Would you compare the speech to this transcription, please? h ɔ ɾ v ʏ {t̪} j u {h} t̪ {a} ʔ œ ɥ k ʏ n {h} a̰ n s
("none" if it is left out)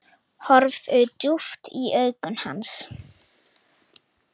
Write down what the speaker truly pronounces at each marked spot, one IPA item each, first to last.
t̪, f, i, h

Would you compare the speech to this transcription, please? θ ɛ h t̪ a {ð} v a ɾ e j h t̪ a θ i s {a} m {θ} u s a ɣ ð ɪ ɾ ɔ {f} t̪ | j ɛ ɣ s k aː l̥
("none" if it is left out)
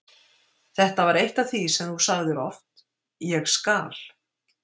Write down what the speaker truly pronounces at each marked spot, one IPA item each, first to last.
none, ɛ, θ, f

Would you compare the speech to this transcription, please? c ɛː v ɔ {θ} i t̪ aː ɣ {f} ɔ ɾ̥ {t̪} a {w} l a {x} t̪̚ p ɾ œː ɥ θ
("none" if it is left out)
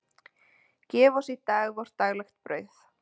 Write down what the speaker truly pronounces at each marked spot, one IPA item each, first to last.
s, v, t̪, ɣ, x

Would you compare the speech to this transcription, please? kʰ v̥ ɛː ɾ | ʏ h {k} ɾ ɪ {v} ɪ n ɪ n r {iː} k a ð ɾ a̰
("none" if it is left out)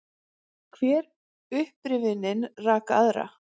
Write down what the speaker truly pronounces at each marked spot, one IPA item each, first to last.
p, v, aː

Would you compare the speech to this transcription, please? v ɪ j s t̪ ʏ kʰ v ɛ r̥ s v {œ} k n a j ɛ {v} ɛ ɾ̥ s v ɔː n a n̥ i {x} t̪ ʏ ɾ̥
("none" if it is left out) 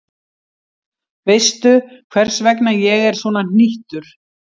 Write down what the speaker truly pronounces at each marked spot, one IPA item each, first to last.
ɛ, ɣ, h

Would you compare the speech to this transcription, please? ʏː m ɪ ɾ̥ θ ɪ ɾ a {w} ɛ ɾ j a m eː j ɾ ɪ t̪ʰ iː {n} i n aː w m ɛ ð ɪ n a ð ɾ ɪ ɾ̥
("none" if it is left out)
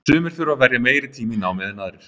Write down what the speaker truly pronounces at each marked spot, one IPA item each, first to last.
v, m

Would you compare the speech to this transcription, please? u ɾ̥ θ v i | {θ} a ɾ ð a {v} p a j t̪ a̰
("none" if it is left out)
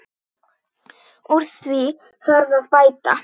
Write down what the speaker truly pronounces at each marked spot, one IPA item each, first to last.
θ, ð

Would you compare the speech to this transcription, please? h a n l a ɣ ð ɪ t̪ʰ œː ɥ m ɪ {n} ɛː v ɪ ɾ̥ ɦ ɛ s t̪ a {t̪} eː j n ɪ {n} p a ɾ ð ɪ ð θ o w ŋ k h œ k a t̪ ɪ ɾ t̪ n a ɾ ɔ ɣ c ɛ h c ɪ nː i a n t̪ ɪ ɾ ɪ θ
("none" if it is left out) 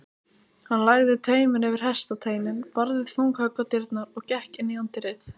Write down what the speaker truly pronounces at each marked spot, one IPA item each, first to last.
n, t̪ʰ, n

